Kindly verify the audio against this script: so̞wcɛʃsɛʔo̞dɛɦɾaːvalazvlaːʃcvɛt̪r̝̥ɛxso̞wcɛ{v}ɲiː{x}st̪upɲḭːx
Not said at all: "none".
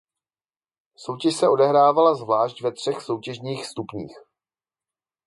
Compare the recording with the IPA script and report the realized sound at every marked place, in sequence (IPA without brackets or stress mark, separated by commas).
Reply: ʒ, x